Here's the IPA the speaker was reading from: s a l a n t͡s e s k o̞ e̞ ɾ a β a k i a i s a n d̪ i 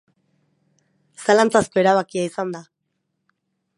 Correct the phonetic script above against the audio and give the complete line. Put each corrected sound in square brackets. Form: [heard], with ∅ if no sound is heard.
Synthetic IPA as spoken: s a l a n t͡s [a] s k o̞ e̞ ɾ a β a k i a i s a n d̪ [a]